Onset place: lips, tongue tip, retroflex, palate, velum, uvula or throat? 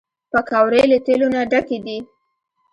lips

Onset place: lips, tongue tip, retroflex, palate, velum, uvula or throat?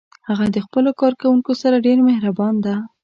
throat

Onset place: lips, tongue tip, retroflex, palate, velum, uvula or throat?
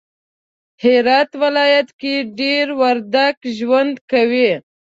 throat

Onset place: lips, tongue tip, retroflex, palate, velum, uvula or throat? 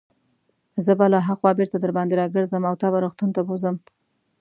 tongue tip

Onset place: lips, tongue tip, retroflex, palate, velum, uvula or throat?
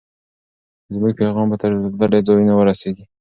tongue tip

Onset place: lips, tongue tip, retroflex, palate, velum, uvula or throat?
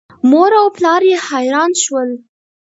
lips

